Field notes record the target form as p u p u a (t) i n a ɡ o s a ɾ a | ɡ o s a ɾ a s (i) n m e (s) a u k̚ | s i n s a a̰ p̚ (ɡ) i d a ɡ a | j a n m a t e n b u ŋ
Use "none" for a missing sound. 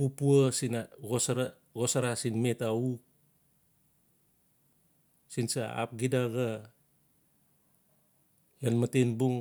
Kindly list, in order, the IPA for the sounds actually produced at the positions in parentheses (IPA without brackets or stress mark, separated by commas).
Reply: s, i, t, ɡ